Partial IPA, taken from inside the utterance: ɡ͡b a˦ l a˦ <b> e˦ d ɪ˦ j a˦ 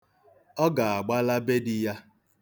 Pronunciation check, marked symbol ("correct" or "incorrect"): correct